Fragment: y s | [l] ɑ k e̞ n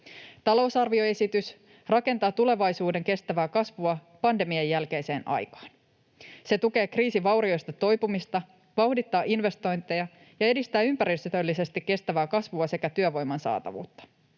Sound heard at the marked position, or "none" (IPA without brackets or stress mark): r